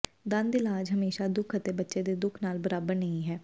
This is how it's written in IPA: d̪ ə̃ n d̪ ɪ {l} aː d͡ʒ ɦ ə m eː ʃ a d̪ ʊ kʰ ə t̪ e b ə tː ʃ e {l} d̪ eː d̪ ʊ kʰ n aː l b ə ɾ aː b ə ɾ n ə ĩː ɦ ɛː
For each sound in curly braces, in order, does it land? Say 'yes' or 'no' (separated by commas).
yes, no